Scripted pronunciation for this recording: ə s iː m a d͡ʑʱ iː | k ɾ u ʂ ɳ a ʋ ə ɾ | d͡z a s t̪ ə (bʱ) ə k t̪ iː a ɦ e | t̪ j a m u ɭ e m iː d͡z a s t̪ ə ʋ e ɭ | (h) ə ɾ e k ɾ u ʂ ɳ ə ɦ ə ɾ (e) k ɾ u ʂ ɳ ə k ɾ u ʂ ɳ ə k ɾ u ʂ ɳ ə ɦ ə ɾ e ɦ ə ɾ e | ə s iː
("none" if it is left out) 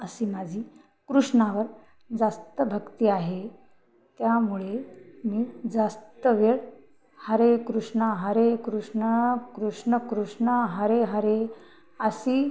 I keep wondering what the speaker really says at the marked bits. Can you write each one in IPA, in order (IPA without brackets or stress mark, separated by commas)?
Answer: bʱ, h, e